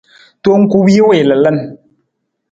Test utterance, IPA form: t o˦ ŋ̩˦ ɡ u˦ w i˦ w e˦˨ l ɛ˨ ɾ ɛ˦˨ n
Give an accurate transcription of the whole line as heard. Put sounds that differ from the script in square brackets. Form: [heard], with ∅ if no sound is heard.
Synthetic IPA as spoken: t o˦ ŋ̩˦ [k] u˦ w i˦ w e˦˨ l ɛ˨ [l] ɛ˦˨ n